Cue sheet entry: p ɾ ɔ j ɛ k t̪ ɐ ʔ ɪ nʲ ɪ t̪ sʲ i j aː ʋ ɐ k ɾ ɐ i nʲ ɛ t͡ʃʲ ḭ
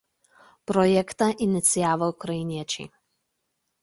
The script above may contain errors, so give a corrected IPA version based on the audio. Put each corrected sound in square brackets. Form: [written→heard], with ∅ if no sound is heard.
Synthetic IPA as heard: p ɾ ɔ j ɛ k t̪ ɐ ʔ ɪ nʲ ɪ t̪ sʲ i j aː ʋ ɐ k ɾ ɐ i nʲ ɛ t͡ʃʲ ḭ